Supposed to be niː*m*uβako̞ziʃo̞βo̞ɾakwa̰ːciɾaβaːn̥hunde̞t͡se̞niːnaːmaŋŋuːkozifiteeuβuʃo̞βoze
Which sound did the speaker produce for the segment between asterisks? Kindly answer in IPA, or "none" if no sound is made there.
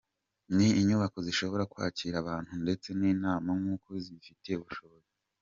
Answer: ɲ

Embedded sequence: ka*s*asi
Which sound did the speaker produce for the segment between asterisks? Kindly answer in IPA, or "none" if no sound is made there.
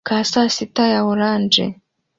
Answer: s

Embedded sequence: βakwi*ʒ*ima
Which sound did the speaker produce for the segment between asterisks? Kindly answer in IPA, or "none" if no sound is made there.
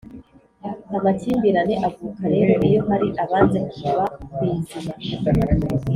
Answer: z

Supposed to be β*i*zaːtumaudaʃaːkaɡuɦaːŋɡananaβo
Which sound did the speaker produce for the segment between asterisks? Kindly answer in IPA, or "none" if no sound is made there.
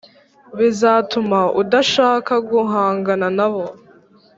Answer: i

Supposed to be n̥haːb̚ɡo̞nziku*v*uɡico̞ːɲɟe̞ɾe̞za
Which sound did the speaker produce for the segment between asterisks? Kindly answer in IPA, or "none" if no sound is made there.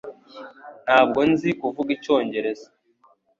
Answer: v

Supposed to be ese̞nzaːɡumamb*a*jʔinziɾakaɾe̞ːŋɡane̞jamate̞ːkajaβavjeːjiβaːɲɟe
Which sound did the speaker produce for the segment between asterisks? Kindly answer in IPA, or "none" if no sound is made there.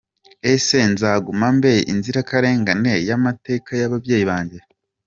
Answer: e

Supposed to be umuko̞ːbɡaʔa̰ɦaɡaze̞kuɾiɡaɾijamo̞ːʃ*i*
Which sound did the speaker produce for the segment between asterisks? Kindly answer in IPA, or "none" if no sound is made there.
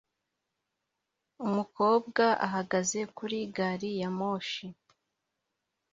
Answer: i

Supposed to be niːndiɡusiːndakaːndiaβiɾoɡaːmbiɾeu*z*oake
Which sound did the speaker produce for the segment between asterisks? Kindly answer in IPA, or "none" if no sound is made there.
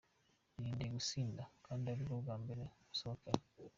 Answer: s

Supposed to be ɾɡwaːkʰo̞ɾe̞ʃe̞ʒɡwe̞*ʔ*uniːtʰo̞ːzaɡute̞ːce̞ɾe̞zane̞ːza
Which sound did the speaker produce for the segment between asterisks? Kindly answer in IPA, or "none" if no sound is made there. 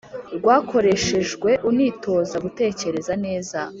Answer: ʔ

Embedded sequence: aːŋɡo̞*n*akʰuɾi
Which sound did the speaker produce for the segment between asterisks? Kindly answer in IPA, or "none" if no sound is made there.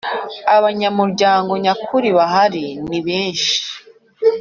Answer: ɲ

